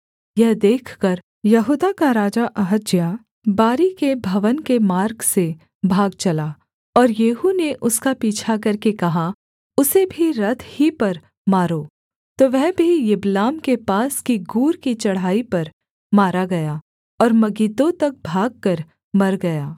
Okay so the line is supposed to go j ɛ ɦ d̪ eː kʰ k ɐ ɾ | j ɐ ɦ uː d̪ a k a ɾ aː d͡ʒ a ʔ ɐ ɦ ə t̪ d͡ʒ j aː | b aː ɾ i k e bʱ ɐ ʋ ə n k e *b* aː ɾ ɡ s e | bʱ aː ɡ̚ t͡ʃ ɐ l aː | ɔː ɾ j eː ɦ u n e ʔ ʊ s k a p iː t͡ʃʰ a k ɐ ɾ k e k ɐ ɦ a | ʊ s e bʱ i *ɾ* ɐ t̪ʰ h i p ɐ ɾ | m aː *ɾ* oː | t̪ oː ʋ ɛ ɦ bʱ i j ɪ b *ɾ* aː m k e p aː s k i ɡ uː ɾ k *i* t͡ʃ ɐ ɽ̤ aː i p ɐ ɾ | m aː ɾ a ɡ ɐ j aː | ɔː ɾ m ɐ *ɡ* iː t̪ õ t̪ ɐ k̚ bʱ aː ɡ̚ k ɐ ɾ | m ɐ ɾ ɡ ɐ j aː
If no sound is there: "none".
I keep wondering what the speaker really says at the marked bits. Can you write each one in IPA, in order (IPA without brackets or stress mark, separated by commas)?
m, ɾ, ɾ, l, i, ɡ